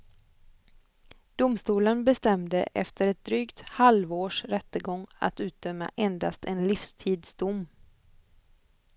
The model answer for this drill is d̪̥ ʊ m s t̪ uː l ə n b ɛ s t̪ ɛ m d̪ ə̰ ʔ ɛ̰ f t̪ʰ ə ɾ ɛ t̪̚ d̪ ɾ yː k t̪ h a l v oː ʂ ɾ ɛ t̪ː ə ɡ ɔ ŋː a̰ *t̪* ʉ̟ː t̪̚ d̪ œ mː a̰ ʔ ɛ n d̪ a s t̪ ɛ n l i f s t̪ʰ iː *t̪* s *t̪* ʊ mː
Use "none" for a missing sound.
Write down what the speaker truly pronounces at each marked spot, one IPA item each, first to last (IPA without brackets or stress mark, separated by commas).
t̪, d̪, d̪